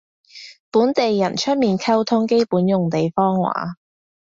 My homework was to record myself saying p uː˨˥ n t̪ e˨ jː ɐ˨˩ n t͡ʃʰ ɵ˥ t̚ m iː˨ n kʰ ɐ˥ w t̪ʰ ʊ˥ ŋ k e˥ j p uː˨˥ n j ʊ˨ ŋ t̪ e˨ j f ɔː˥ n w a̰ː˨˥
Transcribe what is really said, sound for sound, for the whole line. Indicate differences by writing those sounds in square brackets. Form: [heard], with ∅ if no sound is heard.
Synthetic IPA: p uː˨˥ n t̪ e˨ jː ɐ˨˩ n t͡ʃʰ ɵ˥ t̚ m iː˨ n kʰ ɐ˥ w t̪ʰ ʊ˥ ŋ k e˥ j p uː˨˥ n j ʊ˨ ŋ t̪ e˨ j f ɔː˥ [ŋ] w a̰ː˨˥